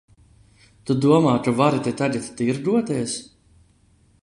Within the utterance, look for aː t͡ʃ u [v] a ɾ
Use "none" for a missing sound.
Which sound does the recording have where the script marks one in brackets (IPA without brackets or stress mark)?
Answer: v